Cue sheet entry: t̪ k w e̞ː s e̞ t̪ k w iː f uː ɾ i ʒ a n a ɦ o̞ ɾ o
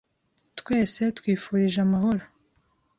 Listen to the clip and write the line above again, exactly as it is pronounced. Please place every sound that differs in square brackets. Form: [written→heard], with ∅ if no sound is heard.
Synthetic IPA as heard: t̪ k w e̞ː s e̞ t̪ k w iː f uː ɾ i ʒ a [n→m] a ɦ o̞ ɾ o